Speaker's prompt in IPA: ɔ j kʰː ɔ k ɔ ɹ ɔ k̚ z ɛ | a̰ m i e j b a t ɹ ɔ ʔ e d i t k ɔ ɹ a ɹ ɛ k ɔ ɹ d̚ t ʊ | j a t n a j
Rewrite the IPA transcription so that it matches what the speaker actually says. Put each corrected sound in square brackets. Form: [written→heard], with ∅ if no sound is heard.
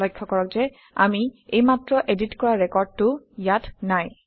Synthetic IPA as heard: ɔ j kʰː ɔ k ɔ ɹ ɔ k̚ z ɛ | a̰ m i e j [b→m] a t ɹ ɔ ʔ e d i t k ɔ ɹ a ɹ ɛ k ɔ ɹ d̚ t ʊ | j a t n a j